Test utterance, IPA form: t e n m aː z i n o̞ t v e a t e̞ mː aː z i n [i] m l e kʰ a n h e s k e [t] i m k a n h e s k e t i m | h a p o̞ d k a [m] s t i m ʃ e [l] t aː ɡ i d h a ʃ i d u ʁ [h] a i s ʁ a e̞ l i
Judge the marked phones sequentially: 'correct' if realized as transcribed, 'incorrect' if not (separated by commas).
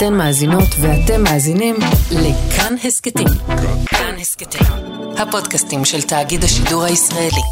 correct, correct, incorrect, correct, correct